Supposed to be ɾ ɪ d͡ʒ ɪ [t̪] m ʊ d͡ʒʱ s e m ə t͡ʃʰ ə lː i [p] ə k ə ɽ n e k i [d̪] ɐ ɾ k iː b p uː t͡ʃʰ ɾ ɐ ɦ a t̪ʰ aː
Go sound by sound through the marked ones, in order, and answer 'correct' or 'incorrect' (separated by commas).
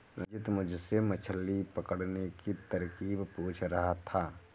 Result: correct, correct, incorrect